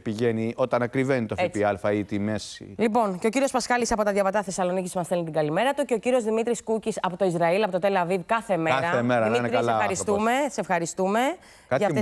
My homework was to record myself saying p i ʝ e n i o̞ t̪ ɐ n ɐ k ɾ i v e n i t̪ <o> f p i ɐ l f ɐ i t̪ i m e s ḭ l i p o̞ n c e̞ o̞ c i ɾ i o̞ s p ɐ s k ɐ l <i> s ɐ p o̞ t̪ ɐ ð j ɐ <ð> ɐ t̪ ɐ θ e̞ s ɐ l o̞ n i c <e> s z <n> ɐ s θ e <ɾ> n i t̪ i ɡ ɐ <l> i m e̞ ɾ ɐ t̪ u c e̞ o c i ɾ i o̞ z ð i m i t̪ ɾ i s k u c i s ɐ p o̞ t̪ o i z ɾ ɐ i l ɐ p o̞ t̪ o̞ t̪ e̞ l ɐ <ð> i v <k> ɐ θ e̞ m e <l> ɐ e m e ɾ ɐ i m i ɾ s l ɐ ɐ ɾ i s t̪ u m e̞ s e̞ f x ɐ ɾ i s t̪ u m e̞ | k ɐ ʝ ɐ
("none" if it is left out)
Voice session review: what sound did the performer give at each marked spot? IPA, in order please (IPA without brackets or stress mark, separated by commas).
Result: o, i, v, i, m, l, l, v, k, ɾ